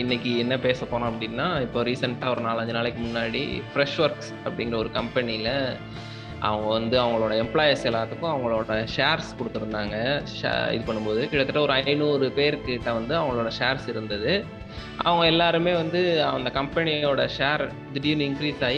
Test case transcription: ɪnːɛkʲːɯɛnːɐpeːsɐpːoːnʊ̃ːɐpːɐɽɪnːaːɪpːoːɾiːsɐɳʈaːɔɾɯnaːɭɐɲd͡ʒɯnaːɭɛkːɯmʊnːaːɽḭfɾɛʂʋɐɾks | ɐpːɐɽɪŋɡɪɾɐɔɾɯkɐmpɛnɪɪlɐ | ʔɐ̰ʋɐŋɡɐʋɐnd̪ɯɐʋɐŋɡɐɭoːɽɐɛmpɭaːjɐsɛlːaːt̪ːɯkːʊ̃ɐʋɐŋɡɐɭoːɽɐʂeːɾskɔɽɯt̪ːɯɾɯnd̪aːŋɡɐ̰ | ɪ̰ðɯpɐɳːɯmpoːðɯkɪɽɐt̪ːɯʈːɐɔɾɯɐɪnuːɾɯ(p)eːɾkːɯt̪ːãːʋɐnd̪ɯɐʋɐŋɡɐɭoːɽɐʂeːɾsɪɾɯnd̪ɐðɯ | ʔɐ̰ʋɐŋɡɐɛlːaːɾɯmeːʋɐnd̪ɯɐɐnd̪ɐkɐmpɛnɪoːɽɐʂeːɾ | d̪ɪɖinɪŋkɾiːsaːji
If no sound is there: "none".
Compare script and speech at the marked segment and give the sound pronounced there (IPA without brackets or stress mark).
p